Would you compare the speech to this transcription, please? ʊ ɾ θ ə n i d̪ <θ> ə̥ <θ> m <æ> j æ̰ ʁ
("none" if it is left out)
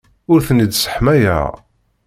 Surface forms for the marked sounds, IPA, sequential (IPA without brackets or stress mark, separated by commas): s, ħ, æ